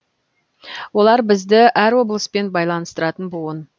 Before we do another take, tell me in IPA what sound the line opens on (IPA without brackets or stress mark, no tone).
w